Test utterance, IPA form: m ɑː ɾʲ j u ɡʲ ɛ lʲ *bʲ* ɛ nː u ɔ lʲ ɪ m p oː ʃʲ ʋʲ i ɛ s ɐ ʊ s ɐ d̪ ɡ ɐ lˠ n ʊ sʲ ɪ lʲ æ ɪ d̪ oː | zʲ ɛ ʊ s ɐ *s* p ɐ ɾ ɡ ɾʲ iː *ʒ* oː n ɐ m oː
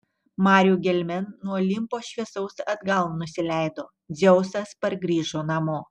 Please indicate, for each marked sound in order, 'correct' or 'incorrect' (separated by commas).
incorrect, correct, correct